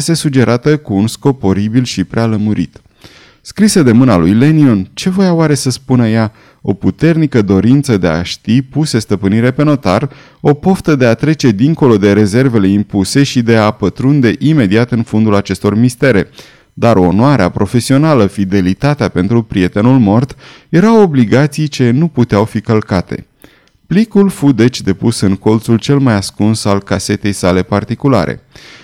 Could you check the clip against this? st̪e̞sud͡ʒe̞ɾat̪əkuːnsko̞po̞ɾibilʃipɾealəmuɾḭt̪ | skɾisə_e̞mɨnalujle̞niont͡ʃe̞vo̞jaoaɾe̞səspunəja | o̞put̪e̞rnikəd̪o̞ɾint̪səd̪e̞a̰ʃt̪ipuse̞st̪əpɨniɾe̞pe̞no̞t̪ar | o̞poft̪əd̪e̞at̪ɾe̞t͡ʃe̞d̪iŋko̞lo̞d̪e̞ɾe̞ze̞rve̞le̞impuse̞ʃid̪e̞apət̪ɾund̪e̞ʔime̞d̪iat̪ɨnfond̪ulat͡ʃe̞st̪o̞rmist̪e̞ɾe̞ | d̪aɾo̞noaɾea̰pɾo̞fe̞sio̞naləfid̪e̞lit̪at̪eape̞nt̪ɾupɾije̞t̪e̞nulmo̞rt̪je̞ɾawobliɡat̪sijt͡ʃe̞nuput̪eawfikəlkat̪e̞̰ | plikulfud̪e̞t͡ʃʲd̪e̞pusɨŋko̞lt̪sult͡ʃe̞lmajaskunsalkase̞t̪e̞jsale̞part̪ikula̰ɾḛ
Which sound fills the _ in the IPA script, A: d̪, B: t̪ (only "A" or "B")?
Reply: A